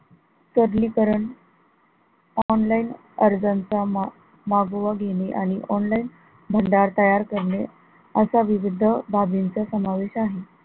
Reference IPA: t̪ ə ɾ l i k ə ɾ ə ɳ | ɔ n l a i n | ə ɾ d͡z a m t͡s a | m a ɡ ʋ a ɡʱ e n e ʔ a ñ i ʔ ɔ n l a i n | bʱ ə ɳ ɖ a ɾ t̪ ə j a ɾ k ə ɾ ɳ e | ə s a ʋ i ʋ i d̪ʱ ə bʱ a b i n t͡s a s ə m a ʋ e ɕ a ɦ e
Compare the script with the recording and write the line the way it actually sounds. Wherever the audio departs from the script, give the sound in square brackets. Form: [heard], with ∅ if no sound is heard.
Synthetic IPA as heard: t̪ ə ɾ l i k ə ɾ ə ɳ | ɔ n l a i n | ə ɾ d͡z a [n] t͡s a | m a ɡ ʋ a ɡʱ e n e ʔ a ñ i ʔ ɔ n l a i n | bʱ ə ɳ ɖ a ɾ t̪ ə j a ɾ k ə ɾ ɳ e | ə s a ʋ i ʋ i d̪ʱ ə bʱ a b i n t͡s a s ə m a ʋ e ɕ a ɦ e